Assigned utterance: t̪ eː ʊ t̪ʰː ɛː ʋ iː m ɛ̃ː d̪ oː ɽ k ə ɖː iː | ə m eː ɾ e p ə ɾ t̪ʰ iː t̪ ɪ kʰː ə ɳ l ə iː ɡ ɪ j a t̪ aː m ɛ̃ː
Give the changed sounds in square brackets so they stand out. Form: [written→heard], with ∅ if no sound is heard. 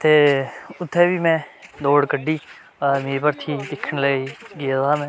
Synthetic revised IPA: t̪ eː ʊ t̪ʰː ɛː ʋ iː m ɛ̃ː d̪ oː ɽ k ə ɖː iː | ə m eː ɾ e p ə ɾ t̪ʰ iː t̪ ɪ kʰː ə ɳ l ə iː ɡ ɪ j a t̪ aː m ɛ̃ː